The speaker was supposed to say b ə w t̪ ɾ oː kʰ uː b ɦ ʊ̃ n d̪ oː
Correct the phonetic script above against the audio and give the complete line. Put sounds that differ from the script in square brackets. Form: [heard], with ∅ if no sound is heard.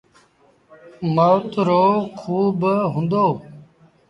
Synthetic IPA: [m] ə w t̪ ɾ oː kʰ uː b ɦ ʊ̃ n d̪ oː